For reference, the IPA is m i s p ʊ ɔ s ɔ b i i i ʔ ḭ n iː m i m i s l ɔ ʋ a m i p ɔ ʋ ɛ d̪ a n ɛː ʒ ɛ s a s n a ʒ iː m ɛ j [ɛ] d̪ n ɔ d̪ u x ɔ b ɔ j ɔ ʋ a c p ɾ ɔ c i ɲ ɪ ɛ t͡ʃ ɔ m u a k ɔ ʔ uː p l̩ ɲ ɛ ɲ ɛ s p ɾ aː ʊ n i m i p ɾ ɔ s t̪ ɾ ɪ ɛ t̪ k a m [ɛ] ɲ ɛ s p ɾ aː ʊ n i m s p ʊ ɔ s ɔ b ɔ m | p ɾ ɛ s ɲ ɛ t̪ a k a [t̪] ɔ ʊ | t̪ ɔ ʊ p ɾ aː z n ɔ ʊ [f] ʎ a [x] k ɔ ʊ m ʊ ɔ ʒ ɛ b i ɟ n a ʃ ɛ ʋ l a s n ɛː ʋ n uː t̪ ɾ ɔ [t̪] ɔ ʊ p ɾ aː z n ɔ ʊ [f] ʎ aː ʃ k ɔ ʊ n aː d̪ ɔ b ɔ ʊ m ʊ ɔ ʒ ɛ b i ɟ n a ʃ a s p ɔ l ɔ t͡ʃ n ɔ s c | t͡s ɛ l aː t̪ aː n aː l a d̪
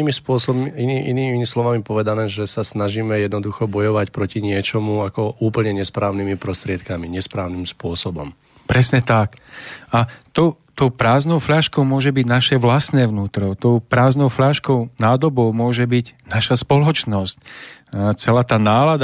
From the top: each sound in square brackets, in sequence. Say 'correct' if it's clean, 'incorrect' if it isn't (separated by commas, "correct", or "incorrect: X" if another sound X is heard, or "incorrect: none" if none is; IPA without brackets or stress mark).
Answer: correct, incorrect: i, correct, correct, incorrect: ʃ, correct, correct